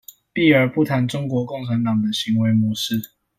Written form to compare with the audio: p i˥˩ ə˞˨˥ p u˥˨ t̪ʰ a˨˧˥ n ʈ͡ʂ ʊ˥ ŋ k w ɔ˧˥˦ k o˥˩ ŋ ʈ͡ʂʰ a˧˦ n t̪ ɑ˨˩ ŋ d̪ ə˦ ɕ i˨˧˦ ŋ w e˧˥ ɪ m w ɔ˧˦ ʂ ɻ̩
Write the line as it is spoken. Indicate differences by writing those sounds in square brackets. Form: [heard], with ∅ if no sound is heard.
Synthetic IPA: p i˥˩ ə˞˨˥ p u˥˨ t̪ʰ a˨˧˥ n ʈ͡ʂ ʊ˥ ŋ k w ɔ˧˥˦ k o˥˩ ŋ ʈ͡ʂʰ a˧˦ n t̪ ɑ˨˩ ŋ d̪ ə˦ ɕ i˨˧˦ ŋ w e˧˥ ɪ m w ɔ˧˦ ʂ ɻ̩

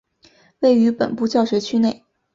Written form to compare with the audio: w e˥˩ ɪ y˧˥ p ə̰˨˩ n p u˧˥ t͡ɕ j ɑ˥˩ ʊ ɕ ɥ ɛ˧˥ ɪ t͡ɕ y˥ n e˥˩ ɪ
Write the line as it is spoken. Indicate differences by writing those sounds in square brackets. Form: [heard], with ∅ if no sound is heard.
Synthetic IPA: w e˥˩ ɪ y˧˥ p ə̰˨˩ n p [u˥˧] t͡ɕ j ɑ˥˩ ʊ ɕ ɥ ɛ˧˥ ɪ [t͡ɕʰ] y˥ n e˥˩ ɪ

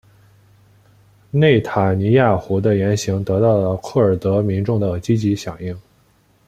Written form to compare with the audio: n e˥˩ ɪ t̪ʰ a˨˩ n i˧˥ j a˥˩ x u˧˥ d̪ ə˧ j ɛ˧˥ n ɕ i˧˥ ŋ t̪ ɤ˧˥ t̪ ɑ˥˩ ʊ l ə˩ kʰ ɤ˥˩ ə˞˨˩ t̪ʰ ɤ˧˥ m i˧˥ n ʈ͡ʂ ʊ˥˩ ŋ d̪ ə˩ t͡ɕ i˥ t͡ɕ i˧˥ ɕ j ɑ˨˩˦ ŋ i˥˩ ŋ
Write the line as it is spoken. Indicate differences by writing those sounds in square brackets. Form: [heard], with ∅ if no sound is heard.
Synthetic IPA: n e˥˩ ɪ t̪ʰ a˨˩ n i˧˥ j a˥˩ x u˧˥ d̪ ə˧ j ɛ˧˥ n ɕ i˧˥ ŋ t̪ ɤ˧˥ t̪ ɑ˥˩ ʊ l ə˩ kʰ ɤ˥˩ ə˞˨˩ [t̪] ɤ˧˥ m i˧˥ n ʈ͡ʂ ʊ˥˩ ŋ d̪ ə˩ t͡ɕ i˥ t͡ɕ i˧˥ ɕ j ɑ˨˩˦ ŋ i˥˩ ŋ

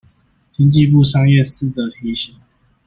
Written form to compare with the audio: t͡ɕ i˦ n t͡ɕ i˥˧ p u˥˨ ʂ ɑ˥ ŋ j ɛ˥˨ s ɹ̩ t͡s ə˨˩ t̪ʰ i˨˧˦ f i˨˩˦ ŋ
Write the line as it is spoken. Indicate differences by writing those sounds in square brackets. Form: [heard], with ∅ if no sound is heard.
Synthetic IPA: t͡ɕ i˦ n t͡ɕ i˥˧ p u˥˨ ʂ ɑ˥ ŋ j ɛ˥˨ s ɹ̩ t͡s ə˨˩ t̪ʰ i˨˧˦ [ɕ] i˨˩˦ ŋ

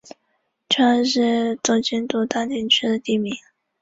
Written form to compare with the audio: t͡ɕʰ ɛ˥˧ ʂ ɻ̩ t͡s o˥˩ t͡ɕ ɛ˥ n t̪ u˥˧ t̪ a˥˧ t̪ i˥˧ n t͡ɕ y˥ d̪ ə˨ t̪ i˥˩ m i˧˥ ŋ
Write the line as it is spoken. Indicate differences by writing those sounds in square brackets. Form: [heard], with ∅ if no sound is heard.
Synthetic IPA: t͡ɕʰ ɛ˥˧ ʂ ɻ̩ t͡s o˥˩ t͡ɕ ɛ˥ n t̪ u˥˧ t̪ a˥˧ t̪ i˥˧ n [t͡ɕʰ] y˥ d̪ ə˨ t̪ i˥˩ m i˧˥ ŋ

